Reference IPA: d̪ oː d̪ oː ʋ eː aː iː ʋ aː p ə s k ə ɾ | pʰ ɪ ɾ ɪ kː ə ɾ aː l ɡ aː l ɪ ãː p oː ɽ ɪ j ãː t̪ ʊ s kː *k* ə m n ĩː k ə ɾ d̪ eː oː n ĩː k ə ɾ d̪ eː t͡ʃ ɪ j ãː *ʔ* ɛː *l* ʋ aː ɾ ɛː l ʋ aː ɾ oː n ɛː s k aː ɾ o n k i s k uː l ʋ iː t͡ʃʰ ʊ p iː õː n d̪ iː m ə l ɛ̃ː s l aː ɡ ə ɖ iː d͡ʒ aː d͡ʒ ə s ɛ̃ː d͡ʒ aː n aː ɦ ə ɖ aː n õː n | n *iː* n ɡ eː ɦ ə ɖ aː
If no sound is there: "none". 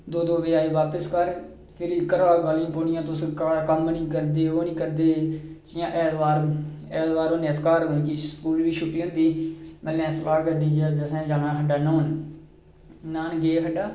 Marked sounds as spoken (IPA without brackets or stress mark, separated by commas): k, ʔ, l, aː